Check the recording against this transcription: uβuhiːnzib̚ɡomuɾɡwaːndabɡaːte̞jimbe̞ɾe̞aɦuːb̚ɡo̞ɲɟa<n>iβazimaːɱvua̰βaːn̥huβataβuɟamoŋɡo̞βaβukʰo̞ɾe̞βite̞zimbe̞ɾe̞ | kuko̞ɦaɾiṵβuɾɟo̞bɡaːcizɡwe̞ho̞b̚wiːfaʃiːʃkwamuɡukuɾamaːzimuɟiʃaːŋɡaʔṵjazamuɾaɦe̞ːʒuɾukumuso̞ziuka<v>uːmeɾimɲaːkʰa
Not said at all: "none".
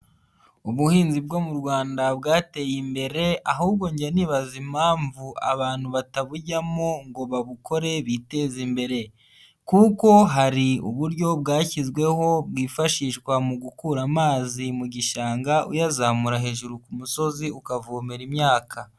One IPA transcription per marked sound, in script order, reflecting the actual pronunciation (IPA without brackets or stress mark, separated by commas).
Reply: n, v